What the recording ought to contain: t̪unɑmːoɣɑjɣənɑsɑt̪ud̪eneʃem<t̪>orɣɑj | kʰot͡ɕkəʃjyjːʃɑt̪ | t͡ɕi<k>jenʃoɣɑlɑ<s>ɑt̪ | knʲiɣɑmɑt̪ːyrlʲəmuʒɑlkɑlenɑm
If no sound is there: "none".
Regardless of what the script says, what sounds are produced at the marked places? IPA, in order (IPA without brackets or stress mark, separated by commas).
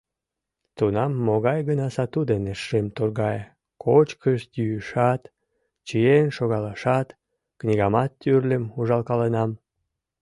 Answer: t̪, none, ʃ